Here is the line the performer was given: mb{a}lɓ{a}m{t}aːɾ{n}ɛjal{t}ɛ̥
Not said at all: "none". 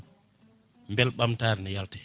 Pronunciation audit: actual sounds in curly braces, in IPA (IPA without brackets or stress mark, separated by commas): ɛ, a, t, n, t